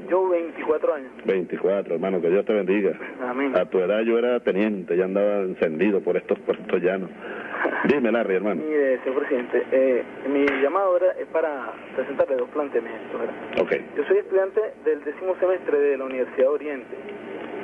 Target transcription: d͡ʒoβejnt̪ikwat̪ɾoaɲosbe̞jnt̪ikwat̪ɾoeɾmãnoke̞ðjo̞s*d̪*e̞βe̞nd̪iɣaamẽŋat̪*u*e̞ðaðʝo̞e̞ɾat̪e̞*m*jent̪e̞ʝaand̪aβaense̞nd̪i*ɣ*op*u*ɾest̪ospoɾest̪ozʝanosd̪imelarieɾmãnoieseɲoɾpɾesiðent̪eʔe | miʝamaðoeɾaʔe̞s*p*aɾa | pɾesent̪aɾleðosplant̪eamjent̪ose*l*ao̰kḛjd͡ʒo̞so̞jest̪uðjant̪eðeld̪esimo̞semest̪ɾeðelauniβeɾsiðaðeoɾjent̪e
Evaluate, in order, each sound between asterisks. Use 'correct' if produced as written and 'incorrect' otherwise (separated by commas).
incorrect, correct, incorrect, incorrect, incorrect, correct, incorrect